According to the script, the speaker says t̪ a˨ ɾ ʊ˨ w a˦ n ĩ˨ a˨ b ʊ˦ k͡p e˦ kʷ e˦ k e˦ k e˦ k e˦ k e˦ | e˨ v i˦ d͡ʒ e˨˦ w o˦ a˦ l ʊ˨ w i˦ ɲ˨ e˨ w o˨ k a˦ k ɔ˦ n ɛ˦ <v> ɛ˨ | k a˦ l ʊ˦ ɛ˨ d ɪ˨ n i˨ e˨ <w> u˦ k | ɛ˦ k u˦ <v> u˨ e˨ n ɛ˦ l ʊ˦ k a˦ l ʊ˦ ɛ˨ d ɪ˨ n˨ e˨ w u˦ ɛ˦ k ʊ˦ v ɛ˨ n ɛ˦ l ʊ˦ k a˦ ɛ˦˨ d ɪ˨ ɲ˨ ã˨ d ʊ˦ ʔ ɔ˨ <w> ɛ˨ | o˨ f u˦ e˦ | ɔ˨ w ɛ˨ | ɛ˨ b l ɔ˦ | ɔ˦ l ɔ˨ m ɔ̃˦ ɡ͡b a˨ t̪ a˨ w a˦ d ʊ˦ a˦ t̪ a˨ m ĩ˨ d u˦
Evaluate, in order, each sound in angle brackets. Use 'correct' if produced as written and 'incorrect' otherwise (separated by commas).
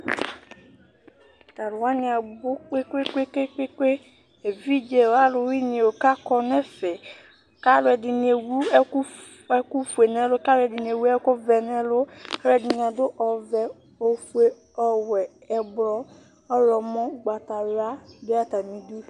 incorrect, correct, incorrect, incorrect